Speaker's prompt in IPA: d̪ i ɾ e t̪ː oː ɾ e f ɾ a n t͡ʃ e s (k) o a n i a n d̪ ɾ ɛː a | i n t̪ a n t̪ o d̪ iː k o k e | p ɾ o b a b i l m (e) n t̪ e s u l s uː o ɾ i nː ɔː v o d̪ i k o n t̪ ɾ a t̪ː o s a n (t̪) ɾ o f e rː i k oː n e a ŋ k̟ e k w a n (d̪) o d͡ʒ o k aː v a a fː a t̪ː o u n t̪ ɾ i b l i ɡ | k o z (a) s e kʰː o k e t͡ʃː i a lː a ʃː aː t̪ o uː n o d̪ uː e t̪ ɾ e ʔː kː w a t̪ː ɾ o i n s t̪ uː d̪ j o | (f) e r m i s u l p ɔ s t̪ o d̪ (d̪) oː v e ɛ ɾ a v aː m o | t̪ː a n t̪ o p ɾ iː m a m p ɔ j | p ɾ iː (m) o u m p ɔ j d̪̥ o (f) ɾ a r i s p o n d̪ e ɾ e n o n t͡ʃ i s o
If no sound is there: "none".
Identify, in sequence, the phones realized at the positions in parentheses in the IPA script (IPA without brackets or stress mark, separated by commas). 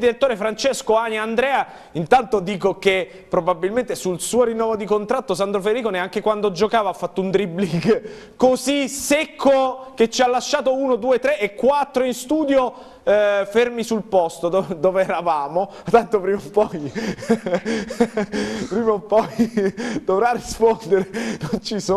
k, e, d̪, d̪, i, f, d̪, m, v